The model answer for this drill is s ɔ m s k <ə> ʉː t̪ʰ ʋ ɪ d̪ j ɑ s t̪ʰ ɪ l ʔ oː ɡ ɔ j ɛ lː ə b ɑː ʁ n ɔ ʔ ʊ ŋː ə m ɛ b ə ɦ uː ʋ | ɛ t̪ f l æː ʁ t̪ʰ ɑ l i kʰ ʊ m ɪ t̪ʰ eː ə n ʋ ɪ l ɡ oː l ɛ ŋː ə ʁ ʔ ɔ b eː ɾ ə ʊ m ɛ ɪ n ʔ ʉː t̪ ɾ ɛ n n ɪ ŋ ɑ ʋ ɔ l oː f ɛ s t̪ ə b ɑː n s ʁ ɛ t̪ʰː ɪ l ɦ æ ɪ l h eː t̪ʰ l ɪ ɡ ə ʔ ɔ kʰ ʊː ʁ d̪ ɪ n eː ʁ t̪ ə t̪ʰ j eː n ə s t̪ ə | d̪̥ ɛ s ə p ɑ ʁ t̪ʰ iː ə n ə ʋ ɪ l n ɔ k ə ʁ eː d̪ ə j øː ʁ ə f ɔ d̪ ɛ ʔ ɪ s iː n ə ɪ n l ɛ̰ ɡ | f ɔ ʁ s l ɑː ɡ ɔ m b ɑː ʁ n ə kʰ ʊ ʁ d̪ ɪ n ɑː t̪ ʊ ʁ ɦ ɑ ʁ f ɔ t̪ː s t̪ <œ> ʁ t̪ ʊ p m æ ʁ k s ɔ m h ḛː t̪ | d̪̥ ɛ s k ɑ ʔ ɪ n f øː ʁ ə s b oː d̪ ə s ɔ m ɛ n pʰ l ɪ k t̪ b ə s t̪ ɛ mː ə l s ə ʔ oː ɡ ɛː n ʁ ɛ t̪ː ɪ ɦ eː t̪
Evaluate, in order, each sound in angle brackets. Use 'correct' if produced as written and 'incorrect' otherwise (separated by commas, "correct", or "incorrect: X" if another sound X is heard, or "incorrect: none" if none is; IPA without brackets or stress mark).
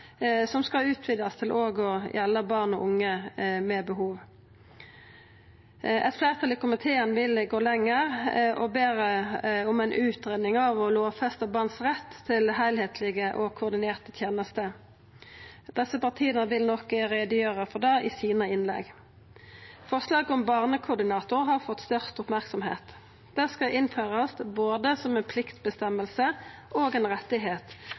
incorrect: ɑ, correct